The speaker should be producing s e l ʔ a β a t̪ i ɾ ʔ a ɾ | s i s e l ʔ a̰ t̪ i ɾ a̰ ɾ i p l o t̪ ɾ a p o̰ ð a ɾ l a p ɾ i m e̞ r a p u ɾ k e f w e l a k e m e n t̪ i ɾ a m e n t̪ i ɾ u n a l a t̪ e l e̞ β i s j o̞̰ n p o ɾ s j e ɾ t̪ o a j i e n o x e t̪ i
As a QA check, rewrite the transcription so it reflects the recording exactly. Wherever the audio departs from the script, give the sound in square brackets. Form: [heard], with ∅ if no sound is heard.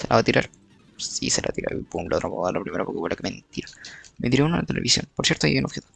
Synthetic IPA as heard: s e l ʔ a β a t̪ i ɾ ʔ a ɾ | s i s e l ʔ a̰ t̪ i ɾ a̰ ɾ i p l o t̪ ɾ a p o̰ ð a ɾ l a p ɾ i m e̞ [ɾ] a p [o] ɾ k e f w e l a k e m e n t̪ i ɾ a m e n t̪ i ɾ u n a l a t̪ e l e̞ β i s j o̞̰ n p o ɾ s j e ɾ t̪ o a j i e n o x e t̪ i